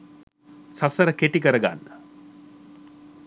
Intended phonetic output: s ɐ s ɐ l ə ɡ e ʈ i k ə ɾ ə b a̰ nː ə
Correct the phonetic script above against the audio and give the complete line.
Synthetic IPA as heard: s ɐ s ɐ ɾ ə k e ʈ i k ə ɾ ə ɡ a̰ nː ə